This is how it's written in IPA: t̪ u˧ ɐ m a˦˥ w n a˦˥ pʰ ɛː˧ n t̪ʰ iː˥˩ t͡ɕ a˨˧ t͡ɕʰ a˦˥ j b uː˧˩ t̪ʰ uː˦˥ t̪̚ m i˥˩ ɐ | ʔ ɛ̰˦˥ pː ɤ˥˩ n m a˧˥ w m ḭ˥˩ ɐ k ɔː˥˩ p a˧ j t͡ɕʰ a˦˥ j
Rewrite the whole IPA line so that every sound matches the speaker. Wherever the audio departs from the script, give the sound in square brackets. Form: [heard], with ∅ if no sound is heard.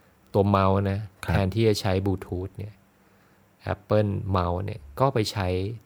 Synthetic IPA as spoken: t̪ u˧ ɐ m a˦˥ w n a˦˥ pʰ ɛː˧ n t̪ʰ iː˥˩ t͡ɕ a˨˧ t͡ɕʰ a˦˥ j b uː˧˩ t̪ʰ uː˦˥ t̪̚ [n] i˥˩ ɐ | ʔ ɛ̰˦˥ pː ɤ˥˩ n m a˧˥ w [n] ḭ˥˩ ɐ k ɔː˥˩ p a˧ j t͡ɕʰ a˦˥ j